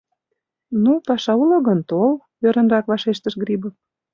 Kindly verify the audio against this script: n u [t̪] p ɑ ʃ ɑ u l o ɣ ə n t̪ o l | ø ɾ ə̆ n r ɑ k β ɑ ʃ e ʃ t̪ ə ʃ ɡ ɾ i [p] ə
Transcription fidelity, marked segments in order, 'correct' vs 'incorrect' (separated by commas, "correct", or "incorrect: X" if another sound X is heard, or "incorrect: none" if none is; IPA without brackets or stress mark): incorrect: none, incorrect: b